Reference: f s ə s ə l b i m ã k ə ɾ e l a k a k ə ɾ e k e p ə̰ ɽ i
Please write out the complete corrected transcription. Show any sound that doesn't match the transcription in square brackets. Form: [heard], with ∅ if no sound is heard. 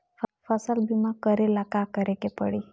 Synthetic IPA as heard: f [f] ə s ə l b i m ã k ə ɾ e l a k a k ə ɾ e k e p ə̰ ɽ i